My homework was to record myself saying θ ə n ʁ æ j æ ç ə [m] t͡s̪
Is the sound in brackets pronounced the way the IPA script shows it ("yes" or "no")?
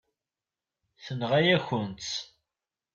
no